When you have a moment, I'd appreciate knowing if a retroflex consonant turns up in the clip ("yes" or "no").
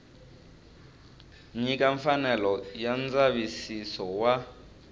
no